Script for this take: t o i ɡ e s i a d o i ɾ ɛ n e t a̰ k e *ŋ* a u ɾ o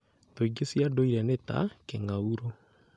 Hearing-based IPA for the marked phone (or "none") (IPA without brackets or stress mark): ŋ